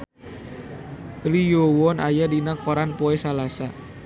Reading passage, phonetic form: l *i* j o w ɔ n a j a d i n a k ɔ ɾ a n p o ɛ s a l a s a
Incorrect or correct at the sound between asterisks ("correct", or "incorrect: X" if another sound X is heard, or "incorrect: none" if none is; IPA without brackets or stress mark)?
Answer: correct